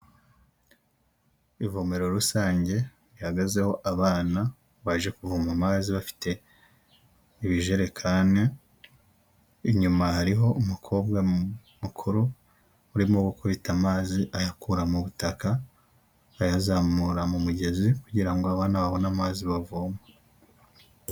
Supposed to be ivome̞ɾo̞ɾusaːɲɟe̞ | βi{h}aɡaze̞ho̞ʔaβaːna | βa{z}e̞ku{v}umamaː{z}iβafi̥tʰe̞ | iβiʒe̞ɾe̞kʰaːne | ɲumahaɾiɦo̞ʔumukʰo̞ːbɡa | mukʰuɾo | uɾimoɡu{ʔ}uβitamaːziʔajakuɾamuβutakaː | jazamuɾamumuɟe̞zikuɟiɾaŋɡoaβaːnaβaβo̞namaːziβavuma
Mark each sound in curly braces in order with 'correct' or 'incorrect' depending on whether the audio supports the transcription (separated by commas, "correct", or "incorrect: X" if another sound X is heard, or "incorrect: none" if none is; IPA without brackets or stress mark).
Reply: correct, incorrect: ʒ, correct, correct, incorrect: k